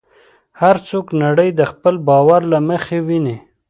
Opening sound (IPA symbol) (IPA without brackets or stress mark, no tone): h